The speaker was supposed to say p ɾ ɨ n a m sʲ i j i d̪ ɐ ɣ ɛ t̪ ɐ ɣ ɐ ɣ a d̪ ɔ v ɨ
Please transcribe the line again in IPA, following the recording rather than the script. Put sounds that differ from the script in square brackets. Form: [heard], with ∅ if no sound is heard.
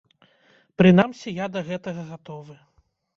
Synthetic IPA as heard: p ɾ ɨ n a m sʲ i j [a] d̪ ɐ ɣ ɛ t̪ ɐ ɣ ɐ ɣ a [t̪] ɔ v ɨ